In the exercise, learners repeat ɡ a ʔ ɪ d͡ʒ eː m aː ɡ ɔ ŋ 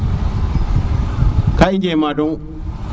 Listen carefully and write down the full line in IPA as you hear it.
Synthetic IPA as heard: k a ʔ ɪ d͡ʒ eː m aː d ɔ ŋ